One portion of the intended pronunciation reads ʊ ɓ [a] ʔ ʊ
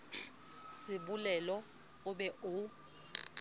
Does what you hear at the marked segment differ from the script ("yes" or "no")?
yes